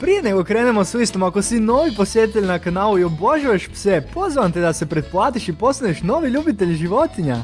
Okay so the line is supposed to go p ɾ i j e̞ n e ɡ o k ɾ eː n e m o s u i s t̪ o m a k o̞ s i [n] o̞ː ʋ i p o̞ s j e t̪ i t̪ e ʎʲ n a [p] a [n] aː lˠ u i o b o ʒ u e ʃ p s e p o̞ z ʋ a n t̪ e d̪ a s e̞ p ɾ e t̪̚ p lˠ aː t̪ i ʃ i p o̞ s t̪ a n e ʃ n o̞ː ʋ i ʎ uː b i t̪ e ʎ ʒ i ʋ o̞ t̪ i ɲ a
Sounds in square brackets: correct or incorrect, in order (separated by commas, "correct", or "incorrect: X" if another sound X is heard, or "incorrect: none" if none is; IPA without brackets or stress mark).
correct, incorrect: k, correct